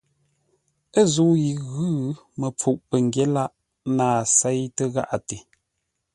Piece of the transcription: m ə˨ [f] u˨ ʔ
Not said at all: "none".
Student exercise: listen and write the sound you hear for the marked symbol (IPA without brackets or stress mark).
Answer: p͡f